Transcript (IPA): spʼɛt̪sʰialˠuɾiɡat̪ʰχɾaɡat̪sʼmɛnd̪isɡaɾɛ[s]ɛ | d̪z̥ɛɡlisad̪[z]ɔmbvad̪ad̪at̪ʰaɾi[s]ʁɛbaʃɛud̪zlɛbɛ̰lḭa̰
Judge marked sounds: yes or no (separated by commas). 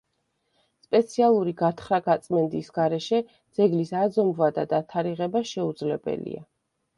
no, yes, no